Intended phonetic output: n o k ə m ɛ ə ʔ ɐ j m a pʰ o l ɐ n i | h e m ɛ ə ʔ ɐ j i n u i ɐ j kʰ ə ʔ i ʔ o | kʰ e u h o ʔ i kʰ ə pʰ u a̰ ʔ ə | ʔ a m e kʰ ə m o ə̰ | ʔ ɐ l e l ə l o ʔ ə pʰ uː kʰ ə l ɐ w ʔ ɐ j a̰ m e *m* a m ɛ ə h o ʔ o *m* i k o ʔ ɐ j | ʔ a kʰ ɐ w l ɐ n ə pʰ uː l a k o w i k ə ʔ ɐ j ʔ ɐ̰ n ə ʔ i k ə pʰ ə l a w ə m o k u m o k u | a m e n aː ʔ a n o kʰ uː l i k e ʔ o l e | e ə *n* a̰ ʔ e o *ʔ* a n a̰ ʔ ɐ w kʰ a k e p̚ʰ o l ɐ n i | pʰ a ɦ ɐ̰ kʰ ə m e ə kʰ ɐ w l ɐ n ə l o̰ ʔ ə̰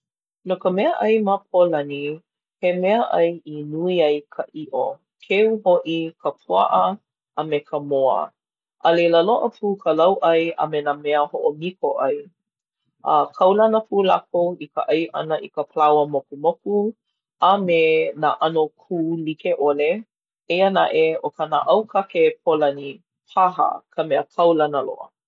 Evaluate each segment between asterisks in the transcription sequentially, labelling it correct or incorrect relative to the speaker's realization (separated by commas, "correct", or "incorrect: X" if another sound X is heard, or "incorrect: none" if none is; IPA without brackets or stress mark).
incorrect: n, correct, correct, incorrect: k